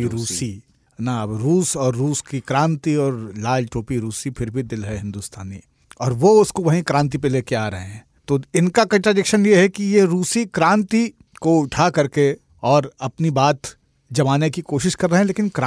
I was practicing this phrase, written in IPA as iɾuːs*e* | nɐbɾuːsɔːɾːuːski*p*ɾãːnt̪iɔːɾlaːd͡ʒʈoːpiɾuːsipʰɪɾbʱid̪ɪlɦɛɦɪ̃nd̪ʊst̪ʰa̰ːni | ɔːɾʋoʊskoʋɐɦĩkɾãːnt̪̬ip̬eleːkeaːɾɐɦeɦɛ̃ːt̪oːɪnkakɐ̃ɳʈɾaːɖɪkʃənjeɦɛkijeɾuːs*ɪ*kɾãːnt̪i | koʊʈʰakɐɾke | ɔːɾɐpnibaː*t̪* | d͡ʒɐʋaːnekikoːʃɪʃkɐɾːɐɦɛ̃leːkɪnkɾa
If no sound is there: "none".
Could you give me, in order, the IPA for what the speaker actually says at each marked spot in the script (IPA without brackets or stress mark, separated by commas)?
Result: i, k, i, t̪